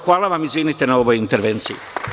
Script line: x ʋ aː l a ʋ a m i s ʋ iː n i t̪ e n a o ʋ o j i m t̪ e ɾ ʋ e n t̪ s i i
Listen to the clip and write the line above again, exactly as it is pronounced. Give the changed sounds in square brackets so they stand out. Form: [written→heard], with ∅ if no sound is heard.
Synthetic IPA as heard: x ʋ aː l a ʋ a m i [s→z] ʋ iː n i t̪ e n a o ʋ o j i [m→n] t̪ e ɾ ʋ e n t̪ s i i